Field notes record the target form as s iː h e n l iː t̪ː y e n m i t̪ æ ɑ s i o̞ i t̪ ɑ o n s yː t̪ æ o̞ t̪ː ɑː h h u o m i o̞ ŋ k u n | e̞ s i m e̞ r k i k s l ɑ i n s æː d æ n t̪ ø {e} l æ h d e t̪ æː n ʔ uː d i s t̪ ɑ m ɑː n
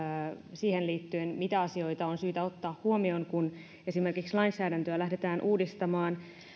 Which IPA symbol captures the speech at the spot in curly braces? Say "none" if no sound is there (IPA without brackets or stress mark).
æ